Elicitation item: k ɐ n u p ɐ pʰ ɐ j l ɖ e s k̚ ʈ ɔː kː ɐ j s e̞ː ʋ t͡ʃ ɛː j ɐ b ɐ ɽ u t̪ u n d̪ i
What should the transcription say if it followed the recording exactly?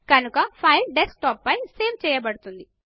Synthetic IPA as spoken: k ɐ n u k ɐ pʰ ɐ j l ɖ e s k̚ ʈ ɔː pː ɐ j s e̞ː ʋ t͡ʃ ɛː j ɐ b ɐ ɽ u t̪ u n d̪ i

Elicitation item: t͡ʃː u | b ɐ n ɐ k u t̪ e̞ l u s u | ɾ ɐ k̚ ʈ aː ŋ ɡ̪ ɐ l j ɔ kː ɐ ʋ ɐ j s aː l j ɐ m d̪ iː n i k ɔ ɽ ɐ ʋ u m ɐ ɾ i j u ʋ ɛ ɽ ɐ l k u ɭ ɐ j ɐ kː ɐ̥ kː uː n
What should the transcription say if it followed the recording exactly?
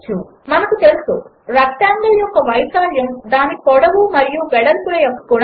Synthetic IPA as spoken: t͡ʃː u | m ɐ n ɐ k u t̪ e̞ l u s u | ɾ ɐ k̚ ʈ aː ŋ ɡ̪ ɐ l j ɔ kː ɐ ʋ ɐ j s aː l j ɐ m d̪ aː n i k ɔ ɽ ɐ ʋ u m ɐ ɾ i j u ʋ ɛ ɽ ɐ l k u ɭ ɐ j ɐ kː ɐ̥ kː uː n

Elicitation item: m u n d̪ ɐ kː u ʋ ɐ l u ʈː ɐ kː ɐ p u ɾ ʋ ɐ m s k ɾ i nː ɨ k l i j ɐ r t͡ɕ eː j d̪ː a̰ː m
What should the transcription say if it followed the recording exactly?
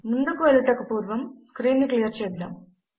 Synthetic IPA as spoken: m u n d̪ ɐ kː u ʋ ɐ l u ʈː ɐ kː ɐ p uː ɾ ʋ ɐ m s k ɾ iː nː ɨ k l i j ɐ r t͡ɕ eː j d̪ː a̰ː m

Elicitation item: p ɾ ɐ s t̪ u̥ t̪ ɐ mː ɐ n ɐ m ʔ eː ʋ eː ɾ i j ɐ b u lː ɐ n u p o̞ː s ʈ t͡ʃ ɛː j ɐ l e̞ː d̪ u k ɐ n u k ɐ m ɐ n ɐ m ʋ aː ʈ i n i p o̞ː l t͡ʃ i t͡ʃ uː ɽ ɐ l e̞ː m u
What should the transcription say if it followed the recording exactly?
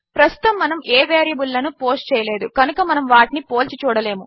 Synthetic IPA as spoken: p ɾ ɐ s t̪ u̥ t̪ ɐ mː ɐ n ɐ m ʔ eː ʋ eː ɾ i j ɐ b u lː ɐ n u p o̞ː s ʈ t͡ʃ ɛː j ɐ l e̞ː d̪ u k ɐ n u k ɐ m ɐ n ɐ m ʋ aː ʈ i n i p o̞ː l t͡ʃ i t͡ʃ uː ɽ ɐ l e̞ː m u

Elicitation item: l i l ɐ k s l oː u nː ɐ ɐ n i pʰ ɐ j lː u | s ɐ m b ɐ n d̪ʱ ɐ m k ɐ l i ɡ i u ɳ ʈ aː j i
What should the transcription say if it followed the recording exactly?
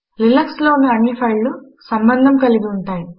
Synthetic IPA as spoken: l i l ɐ k s l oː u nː ɐ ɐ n i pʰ ɐ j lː u | s ɐ m b ɐ n d̪ʱ ɐ m k ɐ l i ɡ i u ɳ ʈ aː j i

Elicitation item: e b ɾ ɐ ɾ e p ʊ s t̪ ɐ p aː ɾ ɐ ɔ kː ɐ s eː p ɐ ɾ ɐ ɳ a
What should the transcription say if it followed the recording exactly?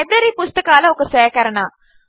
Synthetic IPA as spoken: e b ɾ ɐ ɾ i p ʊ s t̪ ɐ k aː l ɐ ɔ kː ɐ s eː k ɐ ɾ ɐ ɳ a

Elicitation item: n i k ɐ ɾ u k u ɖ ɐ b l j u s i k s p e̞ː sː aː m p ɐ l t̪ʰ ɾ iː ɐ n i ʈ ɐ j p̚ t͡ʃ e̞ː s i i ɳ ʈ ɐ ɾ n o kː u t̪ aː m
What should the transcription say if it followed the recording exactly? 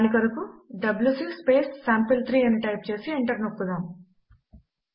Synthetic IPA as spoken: n i k ɐ ɾ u k u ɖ ɐ b l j u s i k s p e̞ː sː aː m p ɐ l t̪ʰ ɾ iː ɐ n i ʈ ɐ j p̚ t͡ʃ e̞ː s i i ɳ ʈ ɐ ɾ n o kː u d̪ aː m

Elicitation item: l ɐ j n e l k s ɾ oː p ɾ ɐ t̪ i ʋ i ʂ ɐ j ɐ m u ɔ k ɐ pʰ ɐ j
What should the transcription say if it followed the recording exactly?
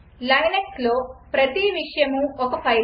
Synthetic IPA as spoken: l ɐ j n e k s l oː p ɾ ɐ t̪ i ʋ i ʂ ɐ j ɐ m u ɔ k ɐ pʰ ɐ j

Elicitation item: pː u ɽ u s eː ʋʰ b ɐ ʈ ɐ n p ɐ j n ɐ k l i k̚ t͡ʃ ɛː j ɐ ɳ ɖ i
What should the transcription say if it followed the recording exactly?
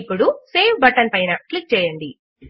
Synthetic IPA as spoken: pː u ɽ u s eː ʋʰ b ɐ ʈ ɐ n p ɐ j n ɐ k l i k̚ t͡ʃ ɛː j ɐ ɳ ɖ i

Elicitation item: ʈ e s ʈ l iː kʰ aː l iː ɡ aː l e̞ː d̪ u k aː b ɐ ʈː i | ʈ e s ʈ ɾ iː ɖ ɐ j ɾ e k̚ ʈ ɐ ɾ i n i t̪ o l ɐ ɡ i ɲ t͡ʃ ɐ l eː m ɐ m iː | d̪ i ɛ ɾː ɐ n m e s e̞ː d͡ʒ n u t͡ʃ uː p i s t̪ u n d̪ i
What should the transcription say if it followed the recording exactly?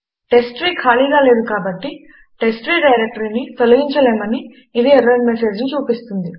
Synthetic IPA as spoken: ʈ e s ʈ ɾ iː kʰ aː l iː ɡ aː l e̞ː d̪ u k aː b ɐ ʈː i | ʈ e s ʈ ɾ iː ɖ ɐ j ɾ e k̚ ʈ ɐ ɾ i n i t̪ o l ɐ ɡ i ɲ t͡ʃ ɐ l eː m ɐ n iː | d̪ i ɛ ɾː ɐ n m e s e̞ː d͡ʒ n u t͡ʃ uː p i s t̪ u n d̪ i

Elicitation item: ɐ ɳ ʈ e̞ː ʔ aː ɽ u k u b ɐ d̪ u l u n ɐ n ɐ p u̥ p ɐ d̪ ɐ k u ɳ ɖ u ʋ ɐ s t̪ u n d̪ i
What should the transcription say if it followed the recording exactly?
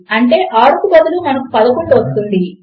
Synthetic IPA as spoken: ɐ ɳ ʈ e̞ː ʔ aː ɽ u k u b ɐ d̪ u l u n ɐ n ɐ k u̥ p ɐ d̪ ɐ k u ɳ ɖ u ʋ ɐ s t̪ u n d̪ i

